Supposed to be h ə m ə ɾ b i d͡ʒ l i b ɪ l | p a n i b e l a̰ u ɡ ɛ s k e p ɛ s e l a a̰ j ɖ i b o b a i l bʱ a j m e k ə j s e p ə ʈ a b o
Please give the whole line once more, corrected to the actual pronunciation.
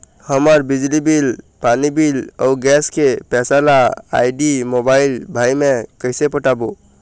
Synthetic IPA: h ə m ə ɾ b i d͡ʒ l i b i l | p a n i b i l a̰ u ɡ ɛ s k e p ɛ s a l a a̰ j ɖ i m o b a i l bʱ a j m e k ə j s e p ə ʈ a b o